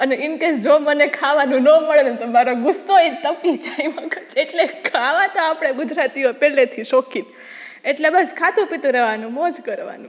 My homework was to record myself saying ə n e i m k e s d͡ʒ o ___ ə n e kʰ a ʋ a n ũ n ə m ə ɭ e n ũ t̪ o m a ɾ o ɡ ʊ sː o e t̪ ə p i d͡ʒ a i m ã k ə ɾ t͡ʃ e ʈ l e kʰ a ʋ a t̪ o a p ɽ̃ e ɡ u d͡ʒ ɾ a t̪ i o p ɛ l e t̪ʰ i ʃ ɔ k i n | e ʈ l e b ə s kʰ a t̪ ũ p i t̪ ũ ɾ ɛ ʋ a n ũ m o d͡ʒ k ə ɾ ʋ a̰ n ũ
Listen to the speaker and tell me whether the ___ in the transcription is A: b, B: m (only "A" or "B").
B